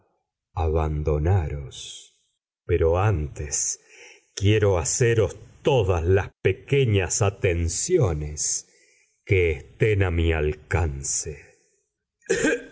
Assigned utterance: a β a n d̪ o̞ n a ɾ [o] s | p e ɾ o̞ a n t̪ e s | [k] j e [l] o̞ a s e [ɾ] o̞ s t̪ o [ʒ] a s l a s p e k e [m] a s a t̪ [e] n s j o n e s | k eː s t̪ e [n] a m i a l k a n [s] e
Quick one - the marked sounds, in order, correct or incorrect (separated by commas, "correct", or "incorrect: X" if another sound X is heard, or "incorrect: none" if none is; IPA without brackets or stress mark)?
correct, correct, incorrect: ɾ, correct, incorrect: ð, incorrect: ɲ, correct, correct, correct